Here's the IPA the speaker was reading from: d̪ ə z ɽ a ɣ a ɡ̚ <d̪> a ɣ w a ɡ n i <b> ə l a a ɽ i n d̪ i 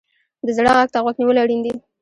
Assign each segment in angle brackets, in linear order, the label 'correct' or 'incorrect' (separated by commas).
incorrect, incorrect